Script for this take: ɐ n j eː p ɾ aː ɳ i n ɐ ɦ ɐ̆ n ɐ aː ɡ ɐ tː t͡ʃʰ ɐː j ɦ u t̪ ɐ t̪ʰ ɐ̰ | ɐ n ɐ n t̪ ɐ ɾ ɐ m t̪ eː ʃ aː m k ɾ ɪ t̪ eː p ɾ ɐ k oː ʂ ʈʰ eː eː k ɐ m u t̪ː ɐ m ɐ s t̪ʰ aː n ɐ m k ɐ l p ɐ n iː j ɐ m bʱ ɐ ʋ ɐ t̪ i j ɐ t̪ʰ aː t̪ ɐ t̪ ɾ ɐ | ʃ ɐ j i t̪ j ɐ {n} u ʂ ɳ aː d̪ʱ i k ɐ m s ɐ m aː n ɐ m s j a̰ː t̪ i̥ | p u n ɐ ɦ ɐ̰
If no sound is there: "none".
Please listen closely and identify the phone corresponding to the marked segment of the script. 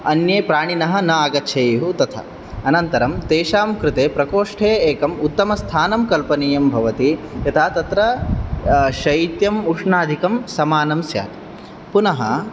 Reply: m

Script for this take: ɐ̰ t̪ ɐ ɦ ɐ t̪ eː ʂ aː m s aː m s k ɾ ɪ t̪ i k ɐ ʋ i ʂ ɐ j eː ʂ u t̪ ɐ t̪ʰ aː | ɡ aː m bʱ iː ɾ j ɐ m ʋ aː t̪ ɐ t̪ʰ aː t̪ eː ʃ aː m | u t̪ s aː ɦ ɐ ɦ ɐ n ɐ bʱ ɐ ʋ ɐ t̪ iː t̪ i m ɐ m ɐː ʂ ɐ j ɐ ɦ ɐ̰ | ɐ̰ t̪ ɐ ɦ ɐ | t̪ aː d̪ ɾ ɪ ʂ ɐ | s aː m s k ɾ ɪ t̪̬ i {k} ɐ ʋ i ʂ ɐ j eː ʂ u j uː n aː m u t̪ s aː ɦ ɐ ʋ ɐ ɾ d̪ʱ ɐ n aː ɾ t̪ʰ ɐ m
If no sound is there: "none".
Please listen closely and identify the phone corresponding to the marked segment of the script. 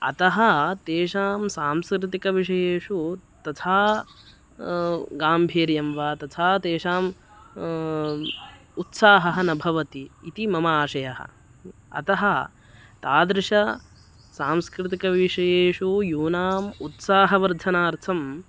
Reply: k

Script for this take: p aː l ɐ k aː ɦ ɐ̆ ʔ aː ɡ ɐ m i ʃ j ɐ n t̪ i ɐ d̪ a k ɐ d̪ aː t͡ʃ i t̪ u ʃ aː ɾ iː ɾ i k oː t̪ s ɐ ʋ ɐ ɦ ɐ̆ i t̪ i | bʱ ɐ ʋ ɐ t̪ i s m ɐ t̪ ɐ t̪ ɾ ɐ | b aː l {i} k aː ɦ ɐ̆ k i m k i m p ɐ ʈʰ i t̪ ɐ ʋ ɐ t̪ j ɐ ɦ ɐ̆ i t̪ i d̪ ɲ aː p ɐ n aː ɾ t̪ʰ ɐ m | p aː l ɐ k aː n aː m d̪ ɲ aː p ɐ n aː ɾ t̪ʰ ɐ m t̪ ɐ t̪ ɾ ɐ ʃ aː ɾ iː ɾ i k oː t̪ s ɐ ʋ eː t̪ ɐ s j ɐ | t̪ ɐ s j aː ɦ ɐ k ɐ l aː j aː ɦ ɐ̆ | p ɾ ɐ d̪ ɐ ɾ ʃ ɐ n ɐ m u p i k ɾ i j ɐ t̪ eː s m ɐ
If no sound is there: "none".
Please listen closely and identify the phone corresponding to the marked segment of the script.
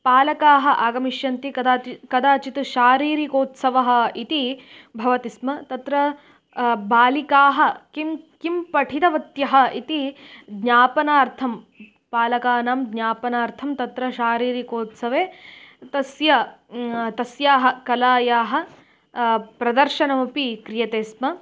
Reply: i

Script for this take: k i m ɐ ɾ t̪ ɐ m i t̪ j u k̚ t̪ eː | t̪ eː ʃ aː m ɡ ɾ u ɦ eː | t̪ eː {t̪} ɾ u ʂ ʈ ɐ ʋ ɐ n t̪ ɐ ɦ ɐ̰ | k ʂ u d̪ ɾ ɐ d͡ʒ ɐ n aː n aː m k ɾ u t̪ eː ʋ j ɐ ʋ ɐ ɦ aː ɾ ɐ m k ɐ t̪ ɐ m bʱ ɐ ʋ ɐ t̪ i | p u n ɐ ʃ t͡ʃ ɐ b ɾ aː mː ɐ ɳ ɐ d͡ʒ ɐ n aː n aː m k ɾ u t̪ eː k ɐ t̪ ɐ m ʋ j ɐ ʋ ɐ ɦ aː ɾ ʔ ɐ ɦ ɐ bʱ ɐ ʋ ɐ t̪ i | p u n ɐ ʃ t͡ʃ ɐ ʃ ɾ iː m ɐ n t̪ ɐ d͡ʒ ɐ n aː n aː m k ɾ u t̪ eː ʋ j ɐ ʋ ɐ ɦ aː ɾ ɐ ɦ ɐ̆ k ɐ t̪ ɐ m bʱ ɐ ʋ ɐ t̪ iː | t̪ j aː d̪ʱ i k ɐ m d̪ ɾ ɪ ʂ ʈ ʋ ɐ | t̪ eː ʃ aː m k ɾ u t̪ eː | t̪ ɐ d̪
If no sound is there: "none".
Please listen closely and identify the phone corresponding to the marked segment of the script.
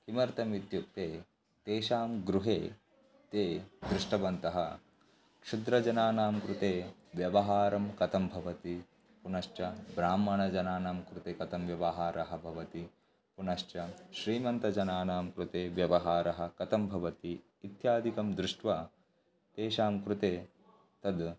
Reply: d̪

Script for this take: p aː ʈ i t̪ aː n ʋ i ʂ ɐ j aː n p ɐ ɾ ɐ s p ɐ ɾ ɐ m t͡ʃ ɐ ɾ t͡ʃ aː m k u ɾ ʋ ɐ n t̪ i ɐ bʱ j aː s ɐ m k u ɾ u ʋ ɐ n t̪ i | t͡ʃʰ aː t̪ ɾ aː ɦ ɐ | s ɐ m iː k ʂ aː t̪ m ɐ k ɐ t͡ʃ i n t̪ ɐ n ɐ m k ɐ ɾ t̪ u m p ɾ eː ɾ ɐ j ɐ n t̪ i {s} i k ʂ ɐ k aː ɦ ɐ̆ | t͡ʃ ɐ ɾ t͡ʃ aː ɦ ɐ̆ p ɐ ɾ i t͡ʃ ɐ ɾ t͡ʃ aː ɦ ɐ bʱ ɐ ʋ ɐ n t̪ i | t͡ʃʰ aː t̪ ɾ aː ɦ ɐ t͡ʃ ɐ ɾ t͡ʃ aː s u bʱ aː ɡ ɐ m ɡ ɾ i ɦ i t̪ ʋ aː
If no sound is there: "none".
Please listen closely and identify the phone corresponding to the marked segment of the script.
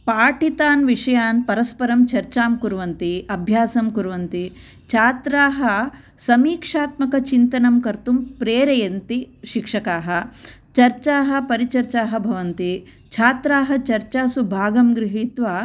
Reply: ʃ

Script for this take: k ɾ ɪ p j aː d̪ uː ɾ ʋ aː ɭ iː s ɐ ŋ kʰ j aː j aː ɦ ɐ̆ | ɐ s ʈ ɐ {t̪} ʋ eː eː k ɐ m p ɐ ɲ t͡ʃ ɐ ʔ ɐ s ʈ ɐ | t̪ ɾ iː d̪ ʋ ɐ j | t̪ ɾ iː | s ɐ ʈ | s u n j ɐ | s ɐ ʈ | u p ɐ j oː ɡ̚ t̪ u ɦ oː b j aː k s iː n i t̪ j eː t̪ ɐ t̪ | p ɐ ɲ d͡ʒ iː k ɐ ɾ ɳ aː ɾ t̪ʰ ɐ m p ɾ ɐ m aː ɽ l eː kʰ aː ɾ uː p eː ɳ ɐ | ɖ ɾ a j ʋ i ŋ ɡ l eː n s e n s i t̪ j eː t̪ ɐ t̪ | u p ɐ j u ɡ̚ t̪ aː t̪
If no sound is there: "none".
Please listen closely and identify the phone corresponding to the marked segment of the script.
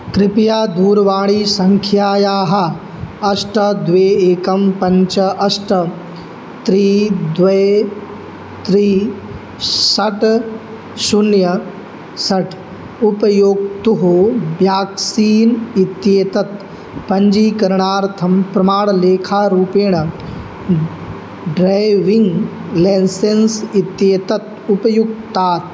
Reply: d̪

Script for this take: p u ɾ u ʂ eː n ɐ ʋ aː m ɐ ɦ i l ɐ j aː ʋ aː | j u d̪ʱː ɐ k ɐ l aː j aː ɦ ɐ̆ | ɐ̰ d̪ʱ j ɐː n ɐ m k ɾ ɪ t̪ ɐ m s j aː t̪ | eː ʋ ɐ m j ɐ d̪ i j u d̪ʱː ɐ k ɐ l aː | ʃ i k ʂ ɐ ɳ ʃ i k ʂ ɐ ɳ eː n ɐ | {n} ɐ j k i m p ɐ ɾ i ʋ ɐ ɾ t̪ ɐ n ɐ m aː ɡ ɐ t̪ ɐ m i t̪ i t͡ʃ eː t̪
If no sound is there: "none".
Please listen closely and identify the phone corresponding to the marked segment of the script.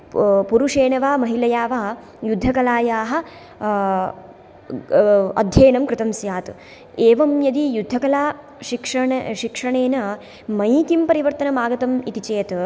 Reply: m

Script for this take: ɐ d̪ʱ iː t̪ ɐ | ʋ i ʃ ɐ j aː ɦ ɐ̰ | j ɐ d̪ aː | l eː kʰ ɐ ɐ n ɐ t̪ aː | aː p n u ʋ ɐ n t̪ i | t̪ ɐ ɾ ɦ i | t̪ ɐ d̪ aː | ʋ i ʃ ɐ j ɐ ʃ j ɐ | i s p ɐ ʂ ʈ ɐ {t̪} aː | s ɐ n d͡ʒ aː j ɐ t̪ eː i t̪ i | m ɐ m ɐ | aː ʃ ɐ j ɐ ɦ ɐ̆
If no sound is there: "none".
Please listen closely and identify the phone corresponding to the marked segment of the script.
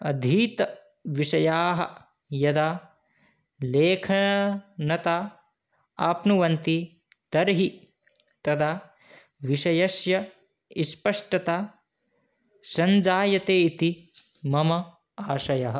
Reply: t̪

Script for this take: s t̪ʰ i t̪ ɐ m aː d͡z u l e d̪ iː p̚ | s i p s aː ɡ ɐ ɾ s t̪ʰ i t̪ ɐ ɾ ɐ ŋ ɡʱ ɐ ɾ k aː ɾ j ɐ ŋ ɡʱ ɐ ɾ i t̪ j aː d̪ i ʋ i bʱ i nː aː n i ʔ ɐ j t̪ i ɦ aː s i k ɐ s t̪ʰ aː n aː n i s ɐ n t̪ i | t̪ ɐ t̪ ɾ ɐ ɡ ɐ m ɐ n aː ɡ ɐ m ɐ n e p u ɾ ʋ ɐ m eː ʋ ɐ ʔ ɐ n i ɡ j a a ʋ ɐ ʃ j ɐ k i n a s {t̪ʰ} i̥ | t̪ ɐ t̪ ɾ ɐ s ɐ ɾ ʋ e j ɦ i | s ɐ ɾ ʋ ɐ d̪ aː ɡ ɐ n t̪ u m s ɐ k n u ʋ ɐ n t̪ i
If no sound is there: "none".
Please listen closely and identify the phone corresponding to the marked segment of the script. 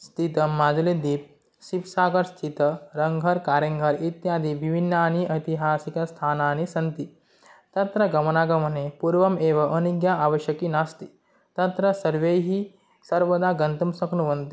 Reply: t̪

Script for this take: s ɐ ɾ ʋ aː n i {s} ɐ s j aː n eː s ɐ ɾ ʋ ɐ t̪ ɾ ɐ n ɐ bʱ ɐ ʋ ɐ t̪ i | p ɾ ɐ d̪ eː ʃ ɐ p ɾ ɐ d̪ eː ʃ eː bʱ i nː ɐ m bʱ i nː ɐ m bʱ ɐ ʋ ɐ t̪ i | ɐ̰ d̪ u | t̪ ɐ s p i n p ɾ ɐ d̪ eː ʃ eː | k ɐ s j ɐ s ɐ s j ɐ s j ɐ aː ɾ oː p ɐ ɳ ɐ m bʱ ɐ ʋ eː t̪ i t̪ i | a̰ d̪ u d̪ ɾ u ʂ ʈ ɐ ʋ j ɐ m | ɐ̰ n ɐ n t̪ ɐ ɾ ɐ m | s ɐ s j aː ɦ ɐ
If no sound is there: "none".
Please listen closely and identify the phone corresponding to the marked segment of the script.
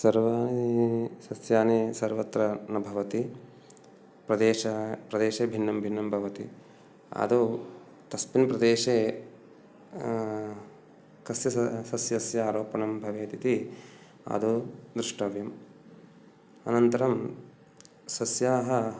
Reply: s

